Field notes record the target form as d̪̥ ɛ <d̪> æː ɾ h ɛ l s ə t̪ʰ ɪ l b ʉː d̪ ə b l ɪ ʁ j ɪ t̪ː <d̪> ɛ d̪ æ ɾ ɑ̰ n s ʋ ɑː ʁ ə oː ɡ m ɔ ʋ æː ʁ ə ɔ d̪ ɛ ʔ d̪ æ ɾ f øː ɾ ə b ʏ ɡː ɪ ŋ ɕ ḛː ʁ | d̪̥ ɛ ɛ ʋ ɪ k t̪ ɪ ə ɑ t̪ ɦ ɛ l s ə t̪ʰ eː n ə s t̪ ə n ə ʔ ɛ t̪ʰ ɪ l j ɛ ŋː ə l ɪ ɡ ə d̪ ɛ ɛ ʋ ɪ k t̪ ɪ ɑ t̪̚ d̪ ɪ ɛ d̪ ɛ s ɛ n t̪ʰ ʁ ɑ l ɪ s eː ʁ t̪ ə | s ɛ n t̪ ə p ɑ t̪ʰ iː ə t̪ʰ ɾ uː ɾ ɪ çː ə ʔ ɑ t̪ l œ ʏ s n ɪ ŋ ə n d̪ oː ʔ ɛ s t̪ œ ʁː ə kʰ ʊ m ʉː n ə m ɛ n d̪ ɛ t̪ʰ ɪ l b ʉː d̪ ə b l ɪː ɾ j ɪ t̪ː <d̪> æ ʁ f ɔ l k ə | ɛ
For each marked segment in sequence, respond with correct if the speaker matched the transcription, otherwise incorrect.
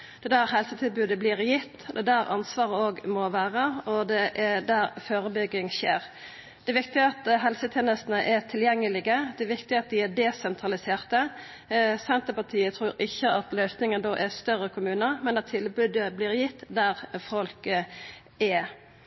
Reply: correct, correct, correct

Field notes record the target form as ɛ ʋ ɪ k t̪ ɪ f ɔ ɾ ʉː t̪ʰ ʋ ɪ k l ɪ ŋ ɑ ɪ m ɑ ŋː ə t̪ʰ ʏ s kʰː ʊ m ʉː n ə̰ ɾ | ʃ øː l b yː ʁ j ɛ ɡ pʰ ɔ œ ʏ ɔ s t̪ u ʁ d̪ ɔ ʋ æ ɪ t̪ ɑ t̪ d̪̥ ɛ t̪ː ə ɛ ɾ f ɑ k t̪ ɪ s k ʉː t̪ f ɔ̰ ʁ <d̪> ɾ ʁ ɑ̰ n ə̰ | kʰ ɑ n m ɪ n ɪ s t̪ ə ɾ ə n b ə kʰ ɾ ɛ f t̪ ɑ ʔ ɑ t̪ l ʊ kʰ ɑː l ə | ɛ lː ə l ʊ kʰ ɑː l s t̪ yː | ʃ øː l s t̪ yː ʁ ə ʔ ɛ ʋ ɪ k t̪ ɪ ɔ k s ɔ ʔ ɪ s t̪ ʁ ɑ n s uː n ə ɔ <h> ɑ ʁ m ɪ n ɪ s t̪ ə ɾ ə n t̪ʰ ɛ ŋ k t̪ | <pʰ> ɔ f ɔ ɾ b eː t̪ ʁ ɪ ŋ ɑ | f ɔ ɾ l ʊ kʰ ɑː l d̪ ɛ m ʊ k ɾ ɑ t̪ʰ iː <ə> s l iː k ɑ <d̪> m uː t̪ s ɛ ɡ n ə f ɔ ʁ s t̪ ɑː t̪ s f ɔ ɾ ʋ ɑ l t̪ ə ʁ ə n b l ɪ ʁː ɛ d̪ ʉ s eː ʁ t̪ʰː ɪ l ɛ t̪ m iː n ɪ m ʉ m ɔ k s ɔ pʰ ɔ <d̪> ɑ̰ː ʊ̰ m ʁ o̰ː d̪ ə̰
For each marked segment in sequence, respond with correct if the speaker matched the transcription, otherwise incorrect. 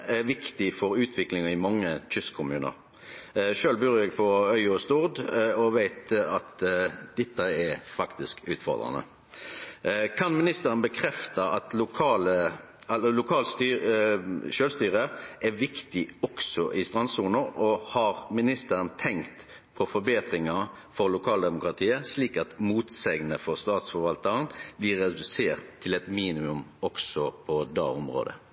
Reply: correct, correct, correct, correct, incorrect, correct

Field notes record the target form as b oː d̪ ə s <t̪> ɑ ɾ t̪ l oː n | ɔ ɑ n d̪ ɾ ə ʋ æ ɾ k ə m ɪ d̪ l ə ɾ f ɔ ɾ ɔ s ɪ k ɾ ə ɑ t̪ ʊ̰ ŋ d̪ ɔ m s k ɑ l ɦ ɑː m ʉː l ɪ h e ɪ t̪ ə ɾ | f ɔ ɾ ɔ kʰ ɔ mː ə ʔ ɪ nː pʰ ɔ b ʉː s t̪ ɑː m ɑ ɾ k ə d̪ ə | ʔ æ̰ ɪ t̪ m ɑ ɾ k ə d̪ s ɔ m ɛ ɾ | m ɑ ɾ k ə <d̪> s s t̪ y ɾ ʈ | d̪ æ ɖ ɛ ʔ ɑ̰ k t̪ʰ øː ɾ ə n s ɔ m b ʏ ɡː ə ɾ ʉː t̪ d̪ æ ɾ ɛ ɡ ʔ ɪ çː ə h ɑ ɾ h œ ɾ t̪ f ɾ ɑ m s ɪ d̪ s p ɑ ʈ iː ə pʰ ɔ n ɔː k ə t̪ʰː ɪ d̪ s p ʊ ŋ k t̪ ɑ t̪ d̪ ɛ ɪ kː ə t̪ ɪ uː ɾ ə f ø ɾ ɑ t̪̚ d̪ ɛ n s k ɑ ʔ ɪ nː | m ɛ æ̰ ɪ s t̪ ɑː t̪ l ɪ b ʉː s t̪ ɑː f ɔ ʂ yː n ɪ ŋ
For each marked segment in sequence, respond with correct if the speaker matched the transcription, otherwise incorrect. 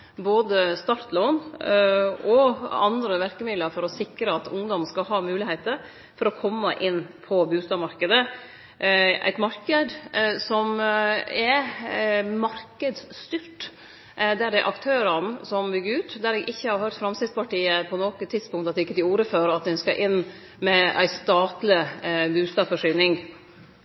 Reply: correct, correct

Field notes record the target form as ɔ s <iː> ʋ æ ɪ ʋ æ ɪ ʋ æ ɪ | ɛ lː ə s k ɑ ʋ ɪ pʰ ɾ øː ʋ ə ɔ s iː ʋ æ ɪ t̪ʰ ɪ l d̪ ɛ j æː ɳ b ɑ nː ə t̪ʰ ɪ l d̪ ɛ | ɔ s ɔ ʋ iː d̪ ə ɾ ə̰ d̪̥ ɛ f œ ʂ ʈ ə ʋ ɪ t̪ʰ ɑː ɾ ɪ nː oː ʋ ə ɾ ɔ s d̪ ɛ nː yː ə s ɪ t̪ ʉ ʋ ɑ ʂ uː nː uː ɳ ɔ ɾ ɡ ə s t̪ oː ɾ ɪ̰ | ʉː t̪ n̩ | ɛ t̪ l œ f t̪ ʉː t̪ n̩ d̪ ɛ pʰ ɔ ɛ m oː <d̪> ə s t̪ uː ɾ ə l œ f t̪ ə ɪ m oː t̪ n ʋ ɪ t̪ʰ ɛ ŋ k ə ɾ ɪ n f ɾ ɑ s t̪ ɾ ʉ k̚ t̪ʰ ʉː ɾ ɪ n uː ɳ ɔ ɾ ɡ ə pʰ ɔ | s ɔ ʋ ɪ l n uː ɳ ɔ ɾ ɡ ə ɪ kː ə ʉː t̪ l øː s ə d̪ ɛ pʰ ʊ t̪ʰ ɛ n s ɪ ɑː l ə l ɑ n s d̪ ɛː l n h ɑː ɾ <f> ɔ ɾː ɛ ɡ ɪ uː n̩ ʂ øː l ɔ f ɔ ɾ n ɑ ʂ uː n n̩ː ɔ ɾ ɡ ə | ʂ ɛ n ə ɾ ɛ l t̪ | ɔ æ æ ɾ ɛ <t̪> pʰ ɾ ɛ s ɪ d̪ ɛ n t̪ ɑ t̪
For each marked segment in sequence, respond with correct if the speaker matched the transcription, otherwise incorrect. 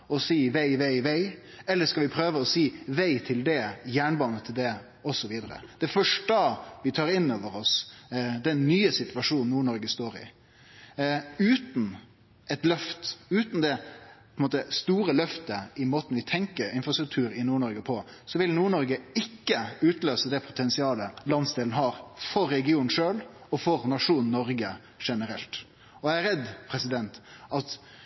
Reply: correct, incorrect, correct, incorrect

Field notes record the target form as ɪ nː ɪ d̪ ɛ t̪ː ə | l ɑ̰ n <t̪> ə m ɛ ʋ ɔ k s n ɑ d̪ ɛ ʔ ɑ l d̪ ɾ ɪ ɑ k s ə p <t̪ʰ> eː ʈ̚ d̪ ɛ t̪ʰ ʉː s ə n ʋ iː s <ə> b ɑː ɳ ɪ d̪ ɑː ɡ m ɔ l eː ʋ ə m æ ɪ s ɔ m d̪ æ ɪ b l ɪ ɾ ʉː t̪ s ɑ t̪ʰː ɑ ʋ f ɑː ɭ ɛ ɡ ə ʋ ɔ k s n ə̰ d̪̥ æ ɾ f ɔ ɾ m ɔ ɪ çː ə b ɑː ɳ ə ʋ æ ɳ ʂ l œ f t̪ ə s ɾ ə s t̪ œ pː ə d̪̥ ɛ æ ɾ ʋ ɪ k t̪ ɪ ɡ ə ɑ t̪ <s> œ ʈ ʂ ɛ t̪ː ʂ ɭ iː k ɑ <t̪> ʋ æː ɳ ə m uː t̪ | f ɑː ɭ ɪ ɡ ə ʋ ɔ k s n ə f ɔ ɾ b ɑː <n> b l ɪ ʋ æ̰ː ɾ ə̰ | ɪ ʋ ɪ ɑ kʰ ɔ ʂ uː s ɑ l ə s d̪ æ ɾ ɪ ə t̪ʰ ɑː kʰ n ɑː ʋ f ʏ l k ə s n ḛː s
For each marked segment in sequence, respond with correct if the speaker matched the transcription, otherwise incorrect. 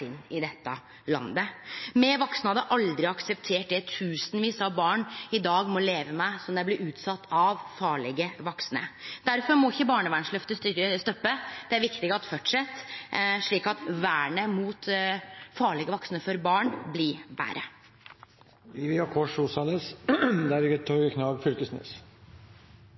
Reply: incorrect, correct, incorrect, incorrect, correct, incorrect

